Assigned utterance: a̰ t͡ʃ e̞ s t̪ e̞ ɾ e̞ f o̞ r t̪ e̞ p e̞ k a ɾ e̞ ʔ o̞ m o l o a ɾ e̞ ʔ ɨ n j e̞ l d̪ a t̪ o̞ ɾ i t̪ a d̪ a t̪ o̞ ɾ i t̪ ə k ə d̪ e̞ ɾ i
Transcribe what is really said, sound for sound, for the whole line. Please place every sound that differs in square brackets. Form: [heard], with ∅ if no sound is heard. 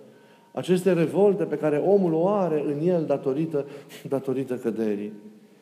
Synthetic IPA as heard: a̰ t͡ʃ e̞ s t̪ e̞ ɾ e̞ [v] o̞ [l] t̪ e̞ p e̞ k a ɾ e̞ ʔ o̞ m [u] l o a ɾ e̞ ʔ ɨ n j e̞ l d̪ a t̪ o̞ ɾ i t̪ [ə] d̪ a t̪ o̞ ɾ i t̪ ə k ə d̪ e̞ ɾ i